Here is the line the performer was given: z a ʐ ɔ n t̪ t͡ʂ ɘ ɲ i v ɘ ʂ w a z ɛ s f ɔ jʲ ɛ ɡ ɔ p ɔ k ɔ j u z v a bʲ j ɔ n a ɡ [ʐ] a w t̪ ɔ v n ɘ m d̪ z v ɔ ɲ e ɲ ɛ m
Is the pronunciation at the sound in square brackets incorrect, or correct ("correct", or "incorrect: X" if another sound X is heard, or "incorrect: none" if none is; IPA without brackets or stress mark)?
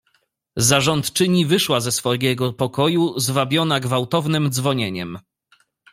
incorrect: v